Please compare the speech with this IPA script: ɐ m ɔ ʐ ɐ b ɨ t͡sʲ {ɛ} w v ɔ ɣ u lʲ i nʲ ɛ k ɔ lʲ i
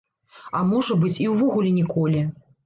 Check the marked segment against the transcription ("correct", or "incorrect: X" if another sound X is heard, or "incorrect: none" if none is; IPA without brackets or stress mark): incorrect: i